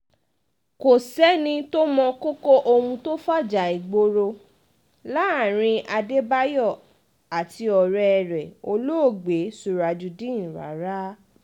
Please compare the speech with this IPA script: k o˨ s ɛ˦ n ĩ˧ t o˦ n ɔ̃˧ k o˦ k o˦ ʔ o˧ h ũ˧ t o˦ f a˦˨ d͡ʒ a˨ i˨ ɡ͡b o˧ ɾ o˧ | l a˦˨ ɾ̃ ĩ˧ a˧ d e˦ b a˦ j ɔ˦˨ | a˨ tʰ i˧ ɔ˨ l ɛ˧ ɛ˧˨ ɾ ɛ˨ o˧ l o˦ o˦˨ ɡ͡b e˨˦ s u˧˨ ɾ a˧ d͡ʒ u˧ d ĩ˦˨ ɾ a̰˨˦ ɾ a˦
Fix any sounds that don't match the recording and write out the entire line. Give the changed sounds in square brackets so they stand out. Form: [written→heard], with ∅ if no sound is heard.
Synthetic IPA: k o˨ s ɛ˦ n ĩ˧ t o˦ [n→m] ɔ̃˧ k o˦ k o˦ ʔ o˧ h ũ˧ t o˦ f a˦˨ d͡ʒ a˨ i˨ ɡ͡b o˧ ɾ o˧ | l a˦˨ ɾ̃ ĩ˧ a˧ d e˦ b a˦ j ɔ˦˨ | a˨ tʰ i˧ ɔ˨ [l→ɾ] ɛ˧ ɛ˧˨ ɾ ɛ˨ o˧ l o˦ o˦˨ ɡ͡b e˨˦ s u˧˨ ɾ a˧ d͡ʒ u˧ d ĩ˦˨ ɾ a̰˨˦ ɾ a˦